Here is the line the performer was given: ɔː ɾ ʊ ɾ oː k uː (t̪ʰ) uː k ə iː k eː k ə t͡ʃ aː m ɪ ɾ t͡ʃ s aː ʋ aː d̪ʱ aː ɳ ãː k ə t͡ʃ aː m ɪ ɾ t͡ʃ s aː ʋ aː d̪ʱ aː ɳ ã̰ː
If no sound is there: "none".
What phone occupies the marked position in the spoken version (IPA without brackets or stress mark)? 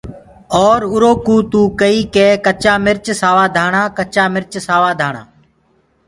t̪